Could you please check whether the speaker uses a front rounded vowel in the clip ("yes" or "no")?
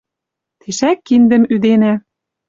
yes